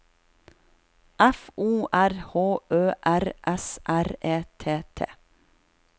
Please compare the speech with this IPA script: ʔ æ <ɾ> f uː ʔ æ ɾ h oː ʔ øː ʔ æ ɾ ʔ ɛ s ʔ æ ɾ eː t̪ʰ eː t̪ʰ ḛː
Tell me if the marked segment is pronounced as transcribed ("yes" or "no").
no